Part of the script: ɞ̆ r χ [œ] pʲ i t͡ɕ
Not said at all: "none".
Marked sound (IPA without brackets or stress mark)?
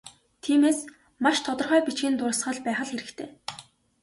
œː